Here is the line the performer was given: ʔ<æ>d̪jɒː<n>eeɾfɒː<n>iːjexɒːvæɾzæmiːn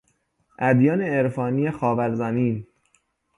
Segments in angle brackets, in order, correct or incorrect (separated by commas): correct, correct, correct